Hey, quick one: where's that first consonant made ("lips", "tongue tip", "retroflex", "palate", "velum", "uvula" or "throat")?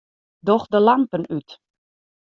tongue tip